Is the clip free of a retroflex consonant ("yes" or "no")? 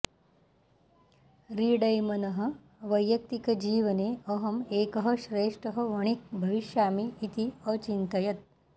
no